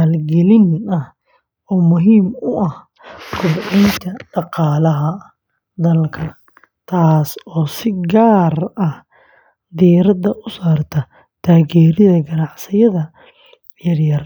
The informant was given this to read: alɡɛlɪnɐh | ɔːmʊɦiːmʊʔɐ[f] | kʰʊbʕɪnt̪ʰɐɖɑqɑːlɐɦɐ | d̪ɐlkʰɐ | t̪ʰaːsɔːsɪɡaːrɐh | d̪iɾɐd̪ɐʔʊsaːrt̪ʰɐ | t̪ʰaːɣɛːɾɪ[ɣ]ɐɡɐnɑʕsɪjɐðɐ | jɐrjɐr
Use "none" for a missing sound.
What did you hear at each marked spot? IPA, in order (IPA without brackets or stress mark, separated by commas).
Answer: h, ð